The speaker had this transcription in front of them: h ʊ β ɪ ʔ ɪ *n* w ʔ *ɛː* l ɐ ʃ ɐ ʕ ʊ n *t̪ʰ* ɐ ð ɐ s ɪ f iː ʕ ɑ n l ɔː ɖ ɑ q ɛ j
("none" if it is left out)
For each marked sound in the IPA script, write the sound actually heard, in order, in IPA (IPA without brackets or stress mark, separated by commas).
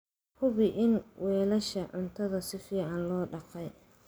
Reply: n, ɛː, t̪ʰ